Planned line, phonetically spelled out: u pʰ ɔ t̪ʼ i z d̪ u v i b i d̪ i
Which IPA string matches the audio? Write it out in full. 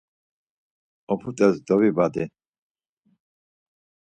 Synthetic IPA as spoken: ɔ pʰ u t̪ʼ ɛ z d̪ ɔ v i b a d̪ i